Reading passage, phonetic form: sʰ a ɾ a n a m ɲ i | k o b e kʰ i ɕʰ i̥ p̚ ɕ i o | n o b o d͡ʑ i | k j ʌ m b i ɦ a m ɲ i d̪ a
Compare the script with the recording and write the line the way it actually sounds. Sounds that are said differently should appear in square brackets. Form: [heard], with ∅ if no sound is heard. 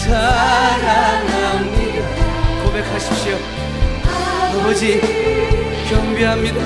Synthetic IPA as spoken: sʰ a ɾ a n a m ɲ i | k o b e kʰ [a] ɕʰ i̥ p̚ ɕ i o | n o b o d͡ʑ i | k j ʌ m b i ɦ a m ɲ i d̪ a